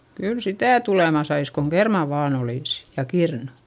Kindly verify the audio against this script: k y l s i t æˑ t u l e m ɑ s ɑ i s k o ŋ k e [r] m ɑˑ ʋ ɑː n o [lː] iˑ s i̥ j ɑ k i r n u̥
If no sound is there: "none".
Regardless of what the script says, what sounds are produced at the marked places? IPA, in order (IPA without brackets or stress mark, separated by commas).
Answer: r, l